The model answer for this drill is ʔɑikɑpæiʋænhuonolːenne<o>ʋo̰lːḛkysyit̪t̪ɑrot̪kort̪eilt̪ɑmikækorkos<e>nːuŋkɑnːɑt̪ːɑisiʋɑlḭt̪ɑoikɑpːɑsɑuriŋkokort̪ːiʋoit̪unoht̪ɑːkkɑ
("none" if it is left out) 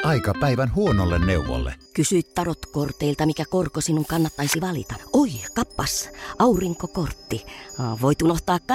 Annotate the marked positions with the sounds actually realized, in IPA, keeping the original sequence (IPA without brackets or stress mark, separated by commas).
u, i